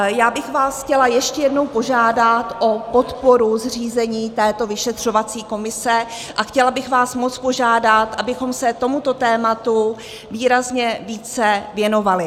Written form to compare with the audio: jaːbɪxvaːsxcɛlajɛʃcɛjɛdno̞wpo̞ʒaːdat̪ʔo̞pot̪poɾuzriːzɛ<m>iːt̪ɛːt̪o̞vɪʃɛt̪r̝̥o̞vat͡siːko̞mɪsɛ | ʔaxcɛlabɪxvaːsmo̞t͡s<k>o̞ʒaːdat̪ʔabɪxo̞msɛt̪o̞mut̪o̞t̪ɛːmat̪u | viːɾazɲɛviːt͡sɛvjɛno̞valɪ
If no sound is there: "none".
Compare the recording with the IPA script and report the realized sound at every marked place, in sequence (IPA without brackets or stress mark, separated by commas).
ɲ, p